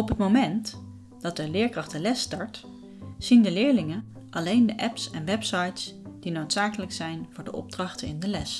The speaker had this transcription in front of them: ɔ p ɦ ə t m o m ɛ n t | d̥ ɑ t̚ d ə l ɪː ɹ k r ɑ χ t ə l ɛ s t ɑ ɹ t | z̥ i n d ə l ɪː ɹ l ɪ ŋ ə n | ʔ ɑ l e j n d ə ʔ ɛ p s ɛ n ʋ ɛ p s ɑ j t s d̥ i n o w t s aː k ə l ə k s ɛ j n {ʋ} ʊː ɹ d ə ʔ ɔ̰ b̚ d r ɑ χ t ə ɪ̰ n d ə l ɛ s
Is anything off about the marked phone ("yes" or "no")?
yes